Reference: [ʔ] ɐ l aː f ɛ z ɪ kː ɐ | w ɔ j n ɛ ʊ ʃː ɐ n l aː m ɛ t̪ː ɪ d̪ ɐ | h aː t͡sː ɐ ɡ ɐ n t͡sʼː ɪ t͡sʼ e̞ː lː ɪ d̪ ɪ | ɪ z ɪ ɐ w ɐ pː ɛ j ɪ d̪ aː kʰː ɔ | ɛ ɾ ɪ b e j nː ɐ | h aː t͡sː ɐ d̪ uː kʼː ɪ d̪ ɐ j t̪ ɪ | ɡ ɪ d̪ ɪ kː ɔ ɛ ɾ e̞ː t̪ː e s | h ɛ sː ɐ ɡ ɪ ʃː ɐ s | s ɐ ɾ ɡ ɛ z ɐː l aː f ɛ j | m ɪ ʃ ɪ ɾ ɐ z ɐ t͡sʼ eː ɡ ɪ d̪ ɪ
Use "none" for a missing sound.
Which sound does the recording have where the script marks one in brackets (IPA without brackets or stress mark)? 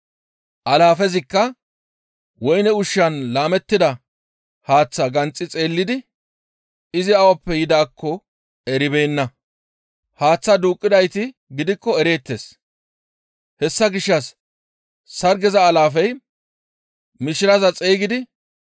ʔ